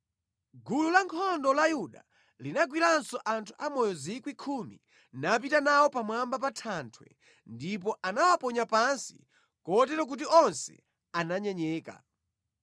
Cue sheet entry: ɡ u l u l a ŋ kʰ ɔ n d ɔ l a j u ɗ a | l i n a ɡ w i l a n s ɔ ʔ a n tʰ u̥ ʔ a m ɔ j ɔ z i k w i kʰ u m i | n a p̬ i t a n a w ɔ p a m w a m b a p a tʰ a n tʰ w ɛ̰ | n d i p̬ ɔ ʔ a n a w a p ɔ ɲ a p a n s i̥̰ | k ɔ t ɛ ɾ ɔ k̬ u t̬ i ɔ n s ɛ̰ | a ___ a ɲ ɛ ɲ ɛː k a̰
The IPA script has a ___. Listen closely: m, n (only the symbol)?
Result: n